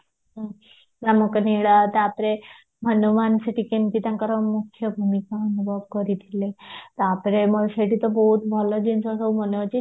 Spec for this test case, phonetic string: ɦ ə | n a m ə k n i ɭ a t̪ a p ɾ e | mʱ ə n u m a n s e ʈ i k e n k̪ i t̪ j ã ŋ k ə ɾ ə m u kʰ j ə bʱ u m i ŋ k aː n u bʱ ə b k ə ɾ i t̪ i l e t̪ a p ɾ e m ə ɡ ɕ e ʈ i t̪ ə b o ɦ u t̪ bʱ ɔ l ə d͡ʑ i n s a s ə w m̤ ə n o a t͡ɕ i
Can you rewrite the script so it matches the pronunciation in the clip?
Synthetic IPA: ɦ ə | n a m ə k n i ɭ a t̪ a p ɾ e | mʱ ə n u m a n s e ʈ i k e n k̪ i t̪ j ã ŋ k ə ɾ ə m u kʰ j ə bʱ u m i k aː n u bʱ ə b k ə ɾ i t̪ i l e t̪ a p ɾ e m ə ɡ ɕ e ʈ i t̪ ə b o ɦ u t̪ bʱ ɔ l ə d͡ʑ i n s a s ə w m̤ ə n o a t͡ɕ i

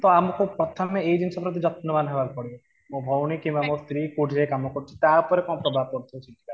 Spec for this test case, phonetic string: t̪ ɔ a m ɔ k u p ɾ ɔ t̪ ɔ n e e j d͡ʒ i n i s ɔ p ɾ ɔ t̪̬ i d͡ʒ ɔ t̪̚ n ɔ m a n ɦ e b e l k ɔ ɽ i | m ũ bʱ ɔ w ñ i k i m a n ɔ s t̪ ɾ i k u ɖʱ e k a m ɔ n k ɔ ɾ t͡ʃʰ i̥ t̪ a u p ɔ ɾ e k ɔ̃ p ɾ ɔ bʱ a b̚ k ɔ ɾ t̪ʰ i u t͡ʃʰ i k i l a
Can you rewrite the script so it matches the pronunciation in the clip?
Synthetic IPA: t̪ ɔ a m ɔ k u p ɾ ɔ t̪ʰ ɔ m e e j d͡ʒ i n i s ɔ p ɾ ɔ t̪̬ i d͡ʒ ɔ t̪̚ n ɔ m a n ɦ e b a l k ɔ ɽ i | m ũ bʱ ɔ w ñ i k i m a m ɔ s t̪ ɾ i k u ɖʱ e k a m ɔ k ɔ ɾ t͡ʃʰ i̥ t̪ a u p ɔ ɾ e k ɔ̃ p ɾ ɔ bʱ a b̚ k ɔ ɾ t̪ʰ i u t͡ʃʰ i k i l a

